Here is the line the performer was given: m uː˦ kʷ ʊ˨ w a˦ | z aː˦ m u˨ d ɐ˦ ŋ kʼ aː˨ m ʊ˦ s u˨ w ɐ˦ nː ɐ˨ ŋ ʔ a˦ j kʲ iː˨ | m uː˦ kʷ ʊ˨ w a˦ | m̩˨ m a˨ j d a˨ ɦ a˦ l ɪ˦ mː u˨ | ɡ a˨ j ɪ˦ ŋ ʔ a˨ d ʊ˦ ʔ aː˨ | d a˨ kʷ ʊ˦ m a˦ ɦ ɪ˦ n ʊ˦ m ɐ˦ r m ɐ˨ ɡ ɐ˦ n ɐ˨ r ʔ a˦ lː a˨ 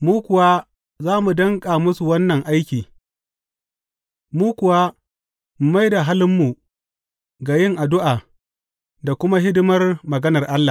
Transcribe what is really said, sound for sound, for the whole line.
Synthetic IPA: m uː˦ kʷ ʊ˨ w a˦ | z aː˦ m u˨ d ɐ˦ ŋ kʼ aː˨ m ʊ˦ s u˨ w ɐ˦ nː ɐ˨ ŋ ʔ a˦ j kʲ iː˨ | m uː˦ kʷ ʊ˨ w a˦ | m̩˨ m a˦ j d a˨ ɦ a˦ l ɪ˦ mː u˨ | ɡ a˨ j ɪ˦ ŋ ʔ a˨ d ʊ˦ ʔ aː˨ | d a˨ kʷ ʊ˦ m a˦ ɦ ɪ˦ d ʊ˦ m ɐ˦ r m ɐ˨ ɡ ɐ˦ n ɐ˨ r ʔ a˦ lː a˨